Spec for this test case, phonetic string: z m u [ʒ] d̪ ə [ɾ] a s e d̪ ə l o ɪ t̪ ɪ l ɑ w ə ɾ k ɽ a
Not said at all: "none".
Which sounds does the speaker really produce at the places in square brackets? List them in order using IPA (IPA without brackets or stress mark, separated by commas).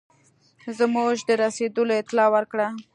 ʒ, ɾ